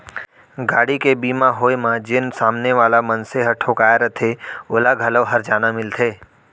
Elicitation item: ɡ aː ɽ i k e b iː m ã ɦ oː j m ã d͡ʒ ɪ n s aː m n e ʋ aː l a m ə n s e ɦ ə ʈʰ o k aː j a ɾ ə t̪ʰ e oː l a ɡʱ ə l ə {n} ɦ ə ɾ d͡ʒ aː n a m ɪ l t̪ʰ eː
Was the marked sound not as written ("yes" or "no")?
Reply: yes